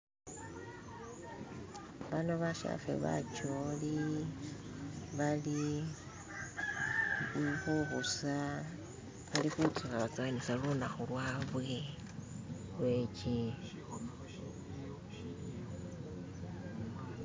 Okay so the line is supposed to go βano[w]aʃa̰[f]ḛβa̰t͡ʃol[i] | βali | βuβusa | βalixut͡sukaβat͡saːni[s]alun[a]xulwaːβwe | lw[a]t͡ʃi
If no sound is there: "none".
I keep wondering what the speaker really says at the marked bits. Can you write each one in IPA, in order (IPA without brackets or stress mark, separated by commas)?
β, f, i, s, a, e